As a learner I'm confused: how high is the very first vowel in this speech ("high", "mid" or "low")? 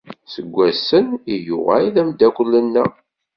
mid